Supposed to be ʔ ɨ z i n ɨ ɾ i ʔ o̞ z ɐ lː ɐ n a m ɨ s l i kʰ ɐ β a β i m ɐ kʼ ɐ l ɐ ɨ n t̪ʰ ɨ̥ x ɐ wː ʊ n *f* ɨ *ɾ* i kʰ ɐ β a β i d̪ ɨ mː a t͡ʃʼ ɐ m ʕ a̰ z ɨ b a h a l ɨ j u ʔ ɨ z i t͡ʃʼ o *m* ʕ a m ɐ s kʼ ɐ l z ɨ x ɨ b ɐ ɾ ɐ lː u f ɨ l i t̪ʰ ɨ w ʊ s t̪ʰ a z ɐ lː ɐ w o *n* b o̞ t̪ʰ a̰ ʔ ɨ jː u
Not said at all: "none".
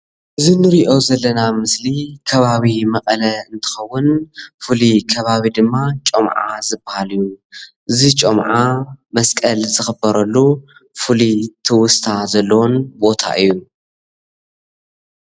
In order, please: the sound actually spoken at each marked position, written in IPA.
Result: f, l, m, n

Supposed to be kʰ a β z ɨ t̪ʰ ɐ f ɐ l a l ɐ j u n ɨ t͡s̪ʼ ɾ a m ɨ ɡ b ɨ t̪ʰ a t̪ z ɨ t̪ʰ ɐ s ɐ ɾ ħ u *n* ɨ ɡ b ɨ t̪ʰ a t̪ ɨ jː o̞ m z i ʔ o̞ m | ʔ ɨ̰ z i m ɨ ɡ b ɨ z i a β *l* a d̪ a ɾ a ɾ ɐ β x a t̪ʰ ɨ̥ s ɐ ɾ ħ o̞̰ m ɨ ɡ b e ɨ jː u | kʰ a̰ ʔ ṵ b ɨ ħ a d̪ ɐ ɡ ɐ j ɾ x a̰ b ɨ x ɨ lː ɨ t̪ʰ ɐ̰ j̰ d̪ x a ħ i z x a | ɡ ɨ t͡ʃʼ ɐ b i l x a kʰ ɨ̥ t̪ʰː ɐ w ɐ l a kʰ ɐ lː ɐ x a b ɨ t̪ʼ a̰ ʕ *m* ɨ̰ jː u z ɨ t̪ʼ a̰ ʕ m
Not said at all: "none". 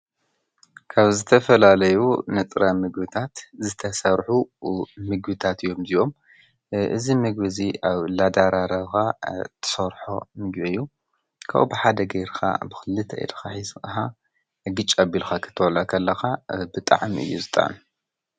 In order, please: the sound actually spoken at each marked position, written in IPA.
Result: m, l, m

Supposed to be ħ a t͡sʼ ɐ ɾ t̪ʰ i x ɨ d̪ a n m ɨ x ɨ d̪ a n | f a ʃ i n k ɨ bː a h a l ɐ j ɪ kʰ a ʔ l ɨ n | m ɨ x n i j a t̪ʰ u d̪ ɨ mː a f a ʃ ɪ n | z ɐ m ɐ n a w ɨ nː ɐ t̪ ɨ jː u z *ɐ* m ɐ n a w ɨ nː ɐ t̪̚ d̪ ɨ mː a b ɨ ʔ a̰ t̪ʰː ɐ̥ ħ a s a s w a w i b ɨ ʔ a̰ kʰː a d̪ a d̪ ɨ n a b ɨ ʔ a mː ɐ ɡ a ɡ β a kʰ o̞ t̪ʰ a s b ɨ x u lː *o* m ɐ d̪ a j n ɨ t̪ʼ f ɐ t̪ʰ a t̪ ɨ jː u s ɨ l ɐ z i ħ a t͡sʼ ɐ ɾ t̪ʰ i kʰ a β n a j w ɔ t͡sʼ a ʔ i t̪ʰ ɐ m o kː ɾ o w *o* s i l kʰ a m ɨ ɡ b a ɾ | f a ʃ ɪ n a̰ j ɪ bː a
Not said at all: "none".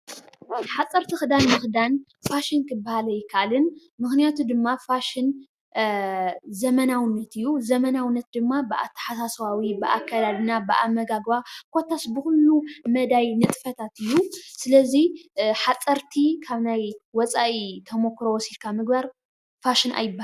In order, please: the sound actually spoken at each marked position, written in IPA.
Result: ɐ, u, ɔ

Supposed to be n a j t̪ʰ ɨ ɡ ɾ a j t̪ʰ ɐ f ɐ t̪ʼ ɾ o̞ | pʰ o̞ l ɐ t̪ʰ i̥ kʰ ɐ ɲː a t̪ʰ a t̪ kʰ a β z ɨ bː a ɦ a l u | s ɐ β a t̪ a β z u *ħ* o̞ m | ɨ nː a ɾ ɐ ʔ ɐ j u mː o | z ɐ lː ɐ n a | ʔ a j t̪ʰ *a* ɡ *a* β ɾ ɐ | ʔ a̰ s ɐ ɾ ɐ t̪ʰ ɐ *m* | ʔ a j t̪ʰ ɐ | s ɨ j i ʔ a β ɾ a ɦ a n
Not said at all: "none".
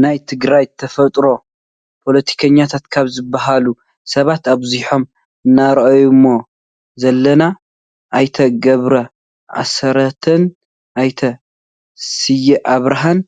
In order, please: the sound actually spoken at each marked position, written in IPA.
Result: ħ, ɐ, ɐ, n

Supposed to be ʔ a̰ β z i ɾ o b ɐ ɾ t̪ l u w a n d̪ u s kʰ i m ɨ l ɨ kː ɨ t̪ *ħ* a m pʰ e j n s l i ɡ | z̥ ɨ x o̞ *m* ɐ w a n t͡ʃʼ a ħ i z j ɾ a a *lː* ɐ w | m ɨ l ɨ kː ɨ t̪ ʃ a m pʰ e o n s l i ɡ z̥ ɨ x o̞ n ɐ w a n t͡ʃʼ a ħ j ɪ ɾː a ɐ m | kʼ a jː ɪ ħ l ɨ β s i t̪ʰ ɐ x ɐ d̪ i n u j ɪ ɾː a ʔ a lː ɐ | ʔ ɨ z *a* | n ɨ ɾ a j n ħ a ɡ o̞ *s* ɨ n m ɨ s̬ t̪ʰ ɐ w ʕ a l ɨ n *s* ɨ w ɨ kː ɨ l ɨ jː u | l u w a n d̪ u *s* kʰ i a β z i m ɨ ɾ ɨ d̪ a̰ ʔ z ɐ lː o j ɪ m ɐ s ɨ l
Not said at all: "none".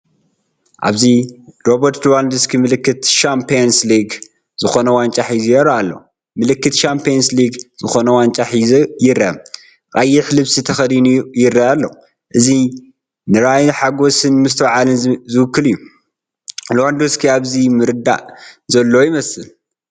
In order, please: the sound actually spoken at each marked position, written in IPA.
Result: ʃ, n, lː, i, s, z, s

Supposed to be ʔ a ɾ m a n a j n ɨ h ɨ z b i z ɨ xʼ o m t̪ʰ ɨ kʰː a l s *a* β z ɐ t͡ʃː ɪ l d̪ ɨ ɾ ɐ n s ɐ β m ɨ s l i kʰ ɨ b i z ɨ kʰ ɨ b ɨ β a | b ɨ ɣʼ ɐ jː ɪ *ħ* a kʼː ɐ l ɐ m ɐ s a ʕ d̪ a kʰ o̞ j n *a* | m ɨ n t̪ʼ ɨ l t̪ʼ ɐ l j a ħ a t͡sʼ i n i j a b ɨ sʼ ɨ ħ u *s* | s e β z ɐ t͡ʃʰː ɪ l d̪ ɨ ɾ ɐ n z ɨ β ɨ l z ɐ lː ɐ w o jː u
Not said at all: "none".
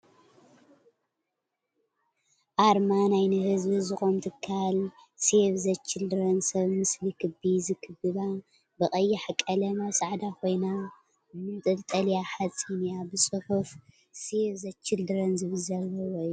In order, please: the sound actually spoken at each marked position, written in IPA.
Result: e, ħ, a, f

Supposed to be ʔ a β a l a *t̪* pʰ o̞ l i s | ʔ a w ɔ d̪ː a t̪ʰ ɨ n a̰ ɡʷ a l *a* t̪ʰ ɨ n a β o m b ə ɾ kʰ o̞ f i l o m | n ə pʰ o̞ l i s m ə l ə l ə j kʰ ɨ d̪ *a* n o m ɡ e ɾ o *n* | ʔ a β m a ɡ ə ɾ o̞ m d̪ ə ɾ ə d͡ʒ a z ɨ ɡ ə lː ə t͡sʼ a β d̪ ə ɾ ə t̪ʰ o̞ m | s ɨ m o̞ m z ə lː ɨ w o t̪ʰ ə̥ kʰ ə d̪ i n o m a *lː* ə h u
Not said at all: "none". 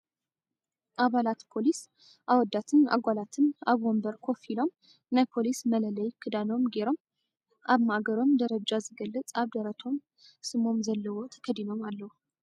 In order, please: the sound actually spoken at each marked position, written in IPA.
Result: t̪, a, a, m, lː

